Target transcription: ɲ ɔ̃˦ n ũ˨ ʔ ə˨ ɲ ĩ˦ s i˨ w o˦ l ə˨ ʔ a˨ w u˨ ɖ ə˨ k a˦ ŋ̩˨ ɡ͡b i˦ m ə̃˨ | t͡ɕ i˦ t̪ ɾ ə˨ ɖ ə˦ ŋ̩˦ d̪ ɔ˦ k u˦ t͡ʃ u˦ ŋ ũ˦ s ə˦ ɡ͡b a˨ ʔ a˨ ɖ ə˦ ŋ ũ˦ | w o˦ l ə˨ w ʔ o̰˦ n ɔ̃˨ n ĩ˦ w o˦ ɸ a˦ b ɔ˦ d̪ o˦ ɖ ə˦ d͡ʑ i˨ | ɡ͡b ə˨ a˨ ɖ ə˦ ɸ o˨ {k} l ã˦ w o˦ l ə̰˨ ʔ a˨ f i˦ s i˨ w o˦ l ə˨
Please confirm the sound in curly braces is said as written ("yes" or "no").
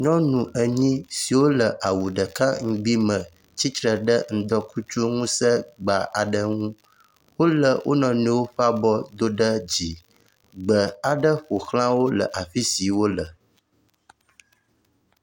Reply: no